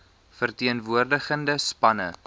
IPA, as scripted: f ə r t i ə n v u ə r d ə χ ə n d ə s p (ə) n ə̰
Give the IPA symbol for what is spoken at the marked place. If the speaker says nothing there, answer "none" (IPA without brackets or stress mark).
ɐ